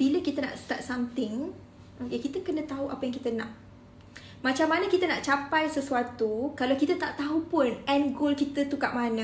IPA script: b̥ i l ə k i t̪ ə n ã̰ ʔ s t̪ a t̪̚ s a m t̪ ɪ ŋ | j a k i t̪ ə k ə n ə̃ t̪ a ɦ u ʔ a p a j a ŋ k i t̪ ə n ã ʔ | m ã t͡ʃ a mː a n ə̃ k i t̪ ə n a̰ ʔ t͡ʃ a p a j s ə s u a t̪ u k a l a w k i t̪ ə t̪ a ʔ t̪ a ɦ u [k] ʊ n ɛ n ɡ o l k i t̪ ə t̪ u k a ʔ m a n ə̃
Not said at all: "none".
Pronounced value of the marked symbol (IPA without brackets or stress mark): p